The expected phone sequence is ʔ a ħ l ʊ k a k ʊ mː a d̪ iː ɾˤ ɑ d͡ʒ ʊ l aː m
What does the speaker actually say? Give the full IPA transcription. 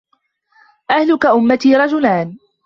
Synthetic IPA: ʔ a h l ʊ k a ʔ ʊ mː a t̪ iː ɾˤ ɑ d͡ʒ ʊ l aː n

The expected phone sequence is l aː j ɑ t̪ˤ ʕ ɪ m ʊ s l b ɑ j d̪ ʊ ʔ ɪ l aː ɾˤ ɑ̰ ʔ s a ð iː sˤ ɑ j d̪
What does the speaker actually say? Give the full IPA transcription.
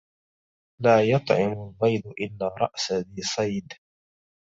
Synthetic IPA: l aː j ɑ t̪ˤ ʕ ɪ m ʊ l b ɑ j d̪ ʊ ʔ ɪ lː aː ɾˤ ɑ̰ ʔ s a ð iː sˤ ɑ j d̪

